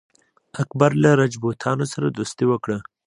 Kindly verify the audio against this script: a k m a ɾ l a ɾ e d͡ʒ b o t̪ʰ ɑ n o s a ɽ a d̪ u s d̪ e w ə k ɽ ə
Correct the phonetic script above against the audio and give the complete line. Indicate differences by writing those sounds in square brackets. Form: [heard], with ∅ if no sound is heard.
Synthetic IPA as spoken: a k [b] a ɾ l a ɾ [a] d͡ʒ b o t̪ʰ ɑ n o s a [ɾ] a d̪ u s [t̪] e w ə k ɽ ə